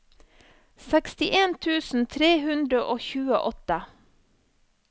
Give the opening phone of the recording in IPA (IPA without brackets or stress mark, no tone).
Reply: s